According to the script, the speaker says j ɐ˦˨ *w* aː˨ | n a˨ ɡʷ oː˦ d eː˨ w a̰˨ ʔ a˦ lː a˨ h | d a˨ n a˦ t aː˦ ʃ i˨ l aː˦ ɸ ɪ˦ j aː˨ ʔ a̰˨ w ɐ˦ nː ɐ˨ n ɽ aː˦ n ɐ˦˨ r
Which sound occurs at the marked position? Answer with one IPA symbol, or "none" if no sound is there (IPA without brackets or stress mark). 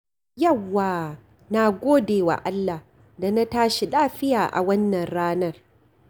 wː